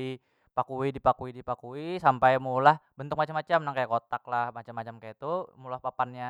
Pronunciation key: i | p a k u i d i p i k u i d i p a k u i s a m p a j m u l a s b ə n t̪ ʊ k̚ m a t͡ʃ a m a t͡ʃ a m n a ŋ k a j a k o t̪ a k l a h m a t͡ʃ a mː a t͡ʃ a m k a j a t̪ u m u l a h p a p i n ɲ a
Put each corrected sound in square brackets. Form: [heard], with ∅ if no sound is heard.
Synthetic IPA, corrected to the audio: i | p a k u i d i p [a] k u i d i p a k u i s a m p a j m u l a [h] b ə n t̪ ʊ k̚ m a t͡ʃ a m a t͡ʃ a m n a ŋ k a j a k o t̪ a k l a h m a t͡ʃ a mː a t͡ʃ a m k a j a t̪ u m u l a h p a p [a] n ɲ a

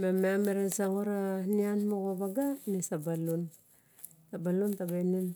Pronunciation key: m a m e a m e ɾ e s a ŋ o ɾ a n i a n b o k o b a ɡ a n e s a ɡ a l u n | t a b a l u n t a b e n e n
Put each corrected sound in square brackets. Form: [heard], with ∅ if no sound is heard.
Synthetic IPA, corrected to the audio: m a m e a m e ɾ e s a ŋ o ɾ a n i a n [m] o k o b a ɡ a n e s a [b] a l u n | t a b a l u n t a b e n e n

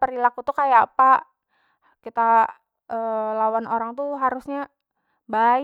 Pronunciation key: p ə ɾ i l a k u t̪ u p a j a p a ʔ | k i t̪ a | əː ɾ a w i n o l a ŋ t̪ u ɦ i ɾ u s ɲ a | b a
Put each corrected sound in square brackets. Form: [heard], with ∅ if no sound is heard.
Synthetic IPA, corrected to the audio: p ə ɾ i l a k u t̪ u [k] a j a p a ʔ | k i t̪ a | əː [l] a w [a] n o [ɾ] a ŋ t̪ u ɦ [a] ɾ u s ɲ a | b a

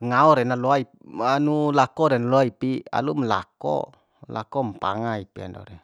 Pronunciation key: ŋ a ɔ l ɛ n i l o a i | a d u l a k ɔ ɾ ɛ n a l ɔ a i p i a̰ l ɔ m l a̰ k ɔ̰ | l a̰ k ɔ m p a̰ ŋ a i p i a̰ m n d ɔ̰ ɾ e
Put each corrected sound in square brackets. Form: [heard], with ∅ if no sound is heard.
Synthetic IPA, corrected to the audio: ŋ a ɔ [ɾ] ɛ n [a] l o a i | a [n] u l a k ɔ ɾ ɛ n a l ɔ a i p i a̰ l [u] m l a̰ k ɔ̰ | l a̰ k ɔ m p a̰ ŋ a i p i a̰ [∅] n d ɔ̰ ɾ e

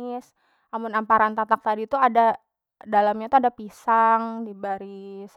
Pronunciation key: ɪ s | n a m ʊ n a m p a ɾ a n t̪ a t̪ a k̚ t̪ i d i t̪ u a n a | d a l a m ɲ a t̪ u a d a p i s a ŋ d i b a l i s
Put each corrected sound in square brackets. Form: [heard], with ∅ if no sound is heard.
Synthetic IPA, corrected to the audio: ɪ s | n a m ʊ n a m p a ɾ a n t̪ a t̪ a k̚ t̪ [a] d i t̪ u a [d] a | d a l a m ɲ a t̪ u a d a p i s a ŋ d i b a [ɾ] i s

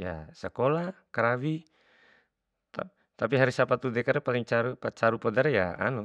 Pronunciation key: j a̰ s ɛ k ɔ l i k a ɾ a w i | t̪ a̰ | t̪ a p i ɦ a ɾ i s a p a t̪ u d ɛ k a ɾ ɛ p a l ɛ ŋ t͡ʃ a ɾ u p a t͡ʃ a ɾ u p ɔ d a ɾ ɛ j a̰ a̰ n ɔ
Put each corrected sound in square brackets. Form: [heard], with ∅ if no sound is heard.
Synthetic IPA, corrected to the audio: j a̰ s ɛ k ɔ l [a] k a ɾ a w i | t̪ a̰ | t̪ a p i ɦ a ɾ i s a p a t̪ u d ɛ k a ɾ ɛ p a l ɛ ŋ t͡ʃ a ɾ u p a t͡ʃ a ɾ u p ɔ d a ɾ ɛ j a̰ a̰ n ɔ

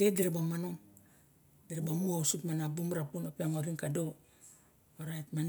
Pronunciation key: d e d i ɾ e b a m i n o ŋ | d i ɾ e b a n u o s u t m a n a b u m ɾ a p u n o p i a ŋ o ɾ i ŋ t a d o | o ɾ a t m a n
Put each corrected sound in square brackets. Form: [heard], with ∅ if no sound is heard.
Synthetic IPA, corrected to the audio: d e d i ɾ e b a m [a] n o ŋ | d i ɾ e b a [m] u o s u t m a n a b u m ɾ a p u n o p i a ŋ o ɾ i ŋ [k] a d o | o ɾ a t m a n

